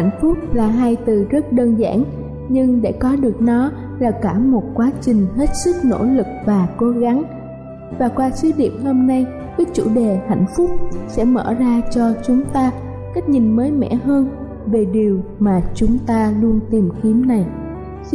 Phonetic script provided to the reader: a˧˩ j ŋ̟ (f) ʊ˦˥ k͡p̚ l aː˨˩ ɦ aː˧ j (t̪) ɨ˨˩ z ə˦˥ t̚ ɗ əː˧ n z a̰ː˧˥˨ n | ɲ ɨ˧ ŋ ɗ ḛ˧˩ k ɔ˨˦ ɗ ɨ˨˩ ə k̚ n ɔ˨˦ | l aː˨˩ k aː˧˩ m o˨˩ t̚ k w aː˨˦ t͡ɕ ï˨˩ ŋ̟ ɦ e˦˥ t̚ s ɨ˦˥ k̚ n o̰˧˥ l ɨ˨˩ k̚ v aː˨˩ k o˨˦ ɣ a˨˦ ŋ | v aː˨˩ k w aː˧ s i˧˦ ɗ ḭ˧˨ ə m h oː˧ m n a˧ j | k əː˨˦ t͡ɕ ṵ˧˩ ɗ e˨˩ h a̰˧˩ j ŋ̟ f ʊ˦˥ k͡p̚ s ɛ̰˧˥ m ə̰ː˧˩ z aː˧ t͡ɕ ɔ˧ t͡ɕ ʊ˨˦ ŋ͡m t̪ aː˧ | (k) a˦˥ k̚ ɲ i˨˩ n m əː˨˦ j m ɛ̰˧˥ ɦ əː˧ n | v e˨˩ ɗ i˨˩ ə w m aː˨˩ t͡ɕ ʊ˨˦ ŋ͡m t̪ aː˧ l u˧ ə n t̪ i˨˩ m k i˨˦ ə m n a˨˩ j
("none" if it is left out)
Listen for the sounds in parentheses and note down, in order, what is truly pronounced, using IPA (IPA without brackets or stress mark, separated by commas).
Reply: f, t̪, k